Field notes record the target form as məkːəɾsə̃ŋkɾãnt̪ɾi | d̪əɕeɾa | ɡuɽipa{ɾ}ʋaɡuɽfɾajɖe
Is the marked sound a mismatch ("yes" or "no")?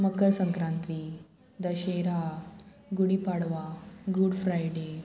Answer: yes